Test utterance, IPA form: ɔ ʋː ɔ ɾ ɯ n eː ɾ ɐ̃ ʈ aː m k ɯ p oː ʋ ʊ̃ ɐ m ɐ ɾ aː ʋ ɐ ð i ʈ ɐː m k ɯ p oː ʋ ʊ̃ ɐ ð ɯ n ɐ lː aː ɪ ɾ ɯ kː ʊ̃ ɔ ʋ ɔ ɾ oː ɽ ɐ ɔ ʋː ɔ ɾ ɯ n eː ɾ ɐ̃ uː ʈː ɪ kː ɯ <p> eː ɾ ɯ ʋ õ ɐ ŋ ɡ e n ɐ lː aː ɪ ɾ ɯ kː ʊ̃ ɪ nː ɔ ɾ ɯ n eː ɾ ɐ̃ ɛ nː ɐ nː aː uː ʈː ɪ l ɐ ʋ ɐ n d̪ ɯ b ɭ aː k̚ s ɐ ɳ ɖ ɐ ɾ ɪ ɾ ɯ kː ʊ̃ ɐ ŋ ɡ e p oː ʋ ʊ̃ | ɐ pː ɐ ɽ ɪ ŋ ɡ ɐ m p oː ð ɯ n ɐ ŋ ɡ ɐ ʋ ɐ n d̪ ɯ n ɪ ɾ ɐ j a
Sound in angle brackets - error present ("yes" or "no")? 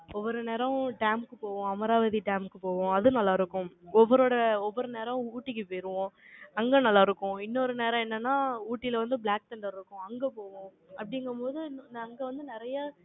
no